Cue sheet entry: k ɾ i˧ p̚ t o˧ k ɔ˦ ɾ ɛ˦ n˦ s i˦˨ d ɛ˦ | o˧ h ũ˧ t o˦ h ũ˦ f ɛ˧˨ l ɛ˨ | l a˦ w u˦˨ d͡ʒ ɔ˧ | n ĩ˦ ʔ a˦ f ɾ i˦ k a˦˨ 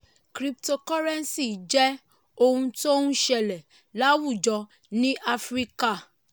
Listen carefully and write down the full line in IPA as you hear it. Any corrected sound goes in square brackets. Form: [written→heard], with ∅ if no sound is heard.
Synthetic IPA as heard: k ɾ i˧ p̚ t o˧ k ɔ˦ ɾ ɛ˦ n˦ s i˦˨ [d→d͡ʒ] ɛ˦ | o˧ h ũ˧ t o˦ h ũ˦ [f→ʃ] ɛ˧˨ l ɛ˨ | l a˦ w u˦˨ d͡ʒ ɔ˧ | n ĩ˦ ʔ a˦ f ɾ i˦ k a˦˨